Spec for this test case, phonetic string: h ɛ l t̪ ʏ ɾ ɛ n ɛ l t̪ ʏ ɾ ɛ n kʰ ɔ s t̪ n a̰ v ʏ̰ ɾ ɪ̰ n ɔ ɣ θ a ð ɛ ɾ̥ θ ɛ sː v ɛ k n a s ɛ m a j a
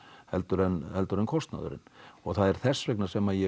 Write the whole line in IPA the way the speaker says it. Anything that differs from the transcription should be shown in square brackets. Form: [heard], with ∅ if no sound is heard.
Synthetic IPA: h ɛ l t̪ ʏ ɾ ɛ n ɛ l t̪ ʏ ɾ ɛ n kʰ ɔ s t̪ n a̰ [ð] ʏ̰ ɾ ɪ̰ n ɔ ɣ θ a ð ɛ ɾ̥ θ ɛ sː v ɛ k n a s ɛ m a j [ɛ]